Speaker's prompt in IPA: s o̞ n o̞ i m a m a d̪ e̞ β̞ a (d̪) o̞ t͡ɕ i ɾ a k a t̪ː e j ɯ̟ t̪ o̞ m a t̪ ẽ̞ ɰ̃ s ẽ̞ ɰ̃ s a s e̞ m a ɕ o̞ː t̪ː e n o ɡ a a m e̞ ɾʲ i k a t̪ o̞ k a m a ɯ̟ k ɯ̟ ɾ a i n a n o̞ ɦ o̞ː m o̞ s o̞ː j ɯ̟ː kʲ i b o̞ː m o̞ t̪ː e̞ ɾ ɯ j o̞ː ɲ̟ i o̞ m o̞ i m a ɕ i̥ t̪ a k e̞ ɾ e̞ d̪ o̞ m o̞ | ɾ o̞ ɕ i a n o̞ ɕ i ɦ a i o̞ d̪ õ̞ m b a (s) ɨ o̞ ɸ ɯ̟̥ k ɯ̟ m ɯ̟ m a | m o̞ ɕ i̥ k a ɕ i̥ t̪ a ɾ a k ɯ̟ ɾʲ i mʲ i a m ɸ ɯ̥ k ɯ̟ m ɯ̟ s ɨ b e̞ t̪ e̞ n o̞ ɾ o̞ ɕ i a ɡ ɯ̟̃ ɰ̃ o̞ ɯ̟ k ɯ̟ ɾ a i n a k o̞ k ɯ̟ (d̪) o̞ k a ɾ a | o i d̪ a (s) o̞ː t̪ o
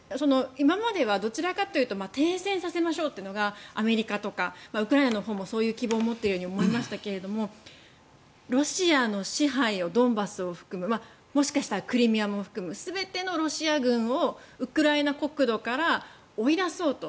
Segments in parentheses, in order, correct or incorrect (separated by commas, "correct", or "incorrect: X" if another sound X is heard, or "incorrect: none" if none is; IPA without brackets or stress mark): correct, correct, correct, correct